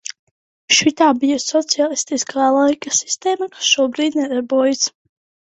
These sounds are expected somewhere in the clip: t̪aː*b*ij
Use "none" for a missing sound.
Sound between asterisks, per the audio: b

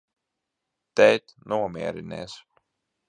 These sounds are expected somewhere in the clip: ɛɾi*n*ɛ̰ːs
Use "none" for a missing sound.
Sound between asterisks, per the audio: n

